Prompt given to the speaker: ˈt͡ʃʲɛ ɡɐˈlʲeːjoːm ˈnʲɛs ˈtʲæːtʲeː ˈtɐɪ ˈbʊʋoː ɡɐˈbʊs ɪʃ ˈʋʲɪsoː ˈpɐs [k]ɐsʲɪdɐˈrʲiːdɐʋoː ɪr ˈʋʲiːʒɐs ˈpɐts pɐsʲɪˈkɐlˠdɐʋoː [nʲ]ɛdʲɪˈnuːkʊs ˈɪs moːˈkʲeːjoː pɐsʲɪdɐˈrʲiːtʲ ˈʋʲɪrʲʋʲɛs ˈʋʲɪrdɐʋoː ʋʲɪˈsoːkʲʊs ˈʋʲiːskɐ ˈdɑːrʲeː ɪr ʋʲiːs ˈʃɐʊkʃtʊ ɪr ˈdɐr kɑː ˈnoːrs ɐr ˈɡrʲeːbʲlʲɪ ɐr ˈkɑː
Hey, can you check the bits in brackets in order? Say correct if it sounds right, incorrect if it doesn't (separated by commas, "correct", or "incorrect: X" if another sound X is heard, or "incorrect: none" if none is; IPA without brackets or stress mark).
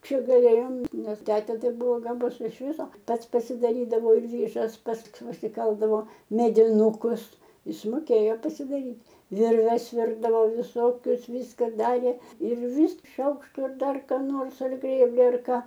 incorrect: p, incorrect: mʲ